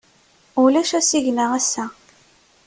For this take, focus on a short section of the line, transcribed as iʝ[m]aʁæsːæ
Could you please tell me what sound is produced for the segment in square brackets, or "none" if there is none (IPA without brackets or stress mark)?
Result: n